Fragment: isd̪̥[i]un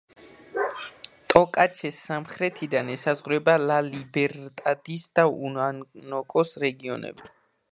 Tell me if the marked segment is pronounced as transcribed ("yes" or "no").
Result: no